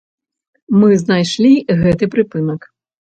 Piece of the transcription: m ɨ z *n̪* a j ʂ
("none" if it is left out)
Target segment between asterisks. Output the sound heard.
n̪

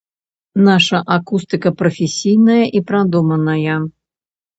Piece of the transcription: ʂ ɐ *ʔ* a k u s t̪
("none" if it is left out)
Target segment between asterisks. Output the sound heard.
ʔ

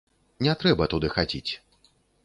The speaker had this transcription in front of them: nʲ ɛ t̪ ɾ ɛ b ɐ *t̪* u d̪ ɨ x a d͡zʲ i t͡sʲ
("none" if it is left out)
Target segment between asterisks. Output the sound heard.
t̪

